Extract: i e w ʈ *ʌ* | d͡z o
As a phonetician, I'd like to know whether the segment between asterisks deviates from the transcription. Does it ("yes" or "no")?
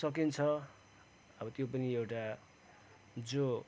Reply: yes